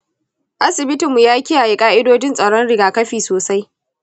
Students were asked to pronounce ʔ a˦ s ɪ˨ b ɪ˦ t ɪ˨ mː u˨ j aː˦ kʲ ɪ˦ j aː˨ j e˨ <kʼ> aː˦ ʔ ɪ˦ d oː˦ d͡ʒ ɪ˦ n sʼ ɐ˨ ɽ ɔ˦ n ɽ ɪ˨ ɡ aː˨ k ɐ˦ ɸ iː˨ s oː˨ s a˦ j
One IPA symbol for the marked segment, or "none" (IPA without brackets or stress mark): kʼ